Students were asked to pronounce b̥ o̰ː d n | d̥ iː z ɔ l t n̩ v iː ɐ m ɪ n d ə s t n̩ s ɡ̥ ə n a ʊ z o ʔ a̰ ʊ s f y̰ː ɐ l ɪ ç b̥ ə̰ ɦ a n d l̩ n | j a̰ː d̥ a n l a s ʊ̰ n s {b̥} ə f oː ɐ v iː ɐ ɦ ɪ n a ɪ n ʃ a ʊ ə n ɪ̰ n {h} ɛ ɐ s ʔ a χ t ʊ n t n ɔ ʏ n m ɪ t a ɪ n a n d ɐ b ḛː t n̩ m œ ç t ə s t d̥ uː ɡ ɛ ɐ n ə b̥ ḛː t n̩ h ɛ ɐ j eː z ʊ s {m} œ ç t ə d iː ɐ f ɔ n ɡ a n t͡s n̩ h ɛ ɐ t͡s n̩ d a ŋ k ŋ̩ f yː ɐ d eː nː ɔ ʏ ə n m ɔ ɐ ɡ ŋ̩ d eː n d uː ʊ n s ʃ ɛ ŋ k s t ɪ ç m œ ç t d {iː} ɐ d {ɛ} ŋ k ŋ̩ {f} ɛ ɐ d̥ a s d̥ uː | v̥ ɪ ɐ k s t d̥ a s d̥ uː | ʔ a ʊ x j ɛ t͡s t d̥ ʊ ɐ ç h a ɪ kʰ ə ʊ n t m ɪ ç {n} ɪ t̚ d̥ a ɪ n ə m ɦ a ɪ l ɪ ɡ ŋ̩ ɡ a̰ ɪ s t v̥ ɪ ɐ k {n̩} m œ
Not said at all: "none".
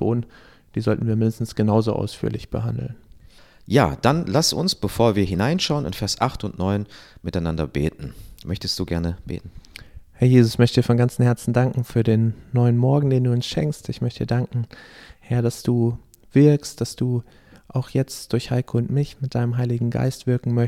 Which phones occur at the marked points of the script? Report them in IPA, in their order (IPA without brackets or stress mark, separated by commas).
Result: b̥, f, m, iː, a, h, m, ŋ̩